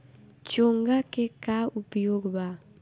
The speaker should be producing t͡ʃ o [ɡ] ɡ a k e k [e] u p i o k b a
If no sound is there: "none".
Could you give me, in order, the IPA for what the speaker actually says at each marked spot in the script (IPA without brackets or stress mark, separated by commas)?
ŋ, a